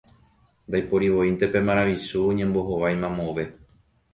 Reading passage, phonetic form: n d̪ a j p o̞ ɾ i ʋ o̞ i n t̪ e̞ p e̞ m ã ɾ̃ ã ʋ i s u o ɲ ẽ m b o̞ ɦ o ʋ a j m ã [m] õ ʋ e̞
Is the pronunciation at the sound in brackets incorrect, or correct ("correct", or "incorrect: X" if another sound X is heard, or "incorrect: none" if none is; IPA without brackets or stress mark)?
correct